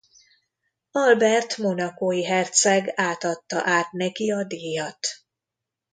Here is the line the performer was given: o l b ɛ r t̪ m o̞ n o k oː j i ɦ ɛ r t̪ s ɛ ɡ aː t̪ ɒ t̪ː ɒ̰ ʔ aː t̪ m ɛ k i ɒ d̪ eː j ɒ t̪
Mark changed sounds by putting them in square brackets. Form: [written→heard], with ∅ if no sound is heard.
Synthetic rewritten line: [o→ɒ] l b ɛ r t̪ m o̞ n [o→ɒ] k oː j i ɦ ɛ r t̪ s ɛ ɡ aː t̪ ɒ t̪ː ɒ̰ ʔ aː t̪ [m→n] ɛ k i ɒ d̪ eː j ɒ t̪